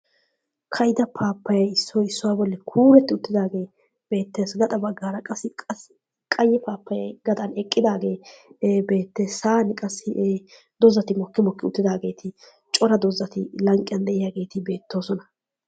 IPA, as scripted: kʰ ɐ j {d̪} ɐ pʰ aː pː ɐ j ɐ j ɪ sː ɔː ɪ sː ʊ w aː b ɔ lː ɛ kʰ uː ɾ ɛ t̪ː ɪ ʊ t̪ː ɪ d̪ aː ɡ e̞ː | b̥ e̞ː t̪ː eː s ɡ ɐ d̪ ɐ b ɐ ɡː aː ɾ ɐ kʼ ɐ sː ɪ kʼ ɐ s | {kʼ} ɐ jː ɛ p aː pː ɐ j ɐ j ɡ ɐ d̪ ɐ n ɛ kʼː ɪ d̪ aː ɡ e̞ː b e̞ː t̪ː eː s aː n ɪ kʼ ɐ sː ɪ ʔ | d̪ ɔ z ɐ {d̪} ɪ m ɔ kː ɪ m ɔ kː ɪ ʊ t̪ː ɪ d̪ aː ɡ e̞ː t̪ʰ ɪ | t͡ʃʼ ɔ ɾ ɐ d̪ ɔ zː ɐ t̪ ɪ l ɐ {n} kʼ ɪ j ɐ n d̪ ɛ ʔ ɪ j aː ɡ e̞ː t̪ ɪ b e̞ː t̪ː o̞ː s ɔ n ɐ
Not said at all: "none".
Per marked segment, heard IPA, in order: d̪, kʼ, t̪, ŋ

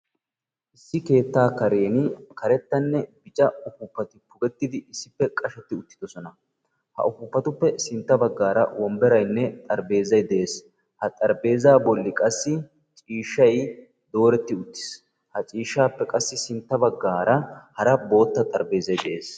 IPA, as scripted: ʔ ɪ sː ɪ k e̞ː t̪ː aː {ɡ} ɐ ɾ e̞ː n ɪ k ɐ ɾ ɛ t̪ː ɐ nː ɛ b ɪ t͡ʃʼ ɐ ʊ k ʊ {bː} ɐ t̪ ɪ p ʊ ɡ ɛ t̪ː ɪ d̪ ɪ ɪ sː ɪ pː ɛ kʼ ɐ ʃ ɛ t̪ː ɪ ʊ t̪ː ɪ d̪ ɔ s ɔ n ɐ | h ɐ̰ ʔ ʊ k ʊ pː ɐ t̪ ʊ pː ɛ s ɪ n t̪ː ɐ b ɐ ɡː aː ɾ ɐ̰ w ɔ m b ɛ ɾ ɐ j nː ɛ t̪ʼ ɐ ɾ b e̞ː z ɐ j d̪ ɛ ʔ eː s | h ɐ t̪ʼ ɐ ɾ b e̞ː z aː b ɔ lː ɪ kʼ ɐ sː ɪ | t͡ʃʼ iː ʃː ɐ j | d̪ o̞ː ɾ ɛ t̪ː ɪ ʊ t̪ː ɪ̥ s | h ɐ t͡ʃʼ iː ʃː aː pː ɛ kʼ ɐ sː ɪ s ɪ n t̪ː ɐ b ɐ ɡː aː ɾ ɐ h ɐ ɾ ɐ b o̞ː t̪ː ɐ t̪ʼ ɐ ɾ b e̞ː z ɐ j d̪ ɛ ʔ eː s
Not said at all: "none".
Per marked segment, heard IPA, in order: k, pː

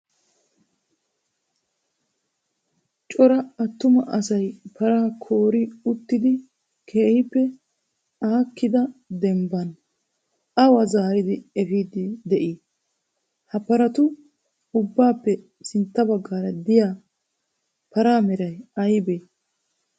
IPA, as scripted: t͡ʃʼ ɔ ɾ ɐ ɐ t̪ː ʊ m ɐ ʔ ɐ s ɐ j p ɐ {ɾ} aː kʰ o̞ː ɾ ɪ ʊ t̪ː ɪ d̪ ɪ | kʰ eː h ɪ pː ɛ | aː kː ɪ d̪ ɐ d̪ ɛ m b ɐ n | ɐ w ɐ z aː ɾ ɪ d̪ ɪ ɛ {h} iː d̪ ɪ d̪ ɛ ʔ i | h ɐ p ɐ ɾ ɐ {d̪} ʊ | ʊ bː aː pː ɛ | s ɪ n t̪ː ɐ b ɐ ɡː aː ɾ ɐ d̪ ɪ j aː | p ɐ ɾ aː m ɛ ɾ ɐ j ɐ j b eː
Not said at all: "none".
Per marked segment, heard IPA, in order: ɾ, f, t̪

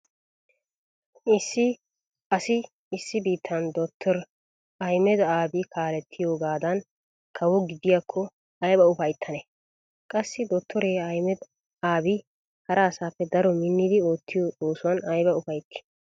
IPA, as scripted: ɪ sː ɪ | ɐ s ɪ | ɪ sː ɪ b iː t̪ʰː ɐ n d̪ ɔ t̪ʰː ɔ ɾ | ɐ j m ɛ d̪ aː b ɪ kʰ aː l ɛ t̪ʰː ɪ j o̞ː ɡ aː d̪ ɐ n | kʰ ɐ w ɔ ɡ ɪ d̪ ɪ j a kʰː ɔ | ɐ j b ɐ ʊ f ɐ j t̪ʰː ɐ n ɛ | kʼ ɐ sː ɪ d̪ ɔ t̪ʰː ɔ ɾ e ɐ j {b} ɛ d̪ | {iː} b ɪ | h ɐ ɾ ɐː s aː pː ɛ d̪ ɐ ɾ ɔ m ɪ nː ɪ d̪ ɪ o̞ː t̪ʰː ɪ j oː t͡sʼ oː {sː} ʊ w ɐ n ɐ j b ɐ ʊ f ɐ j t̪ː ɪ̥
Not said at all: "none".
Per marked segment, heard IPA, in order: m, aː, s

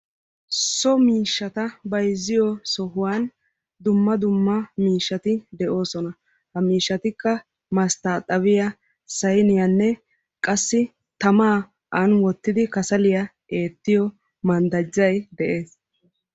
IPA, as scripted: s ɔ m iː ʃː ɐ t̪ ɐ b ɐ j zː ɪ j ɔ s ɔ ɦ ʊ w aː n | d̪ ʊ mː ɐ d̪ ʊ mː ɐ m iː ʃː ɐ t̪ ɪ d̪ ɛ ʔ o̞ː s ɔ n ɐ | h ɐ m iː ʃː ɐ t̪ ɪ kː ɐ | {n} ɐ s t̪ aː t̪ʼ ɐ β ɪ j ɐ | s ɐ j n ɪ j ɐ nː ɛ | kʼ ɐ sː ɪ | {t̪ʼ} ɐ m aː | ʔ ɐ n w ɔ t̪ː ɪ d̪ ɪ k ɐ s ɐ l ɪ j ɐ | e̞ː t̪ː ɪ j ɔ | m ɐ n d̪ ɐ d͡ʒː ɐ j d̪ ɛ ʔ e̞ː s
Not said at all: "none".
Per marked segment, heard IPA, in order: m, t̪

